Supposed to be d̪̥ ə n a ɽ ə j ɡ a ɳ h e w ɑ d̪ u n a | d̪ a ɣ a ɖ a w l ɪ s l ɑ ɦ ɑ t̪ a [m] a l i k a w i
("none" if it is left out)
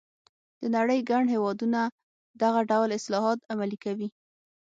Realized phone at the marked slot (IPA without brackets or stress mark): m